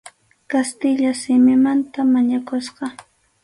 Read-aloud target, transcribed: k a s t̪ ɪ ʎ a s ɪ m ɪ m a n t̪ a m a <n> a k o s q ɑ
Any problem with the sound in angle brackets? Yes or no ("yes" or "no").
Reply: yes